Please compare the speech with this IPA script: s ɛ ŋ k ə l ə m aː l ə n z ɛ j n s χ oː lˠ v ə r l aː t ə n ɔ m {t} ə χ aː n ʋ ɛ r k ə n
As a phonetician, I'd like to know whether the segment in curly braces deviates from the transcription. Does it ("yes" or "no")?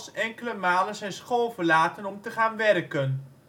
no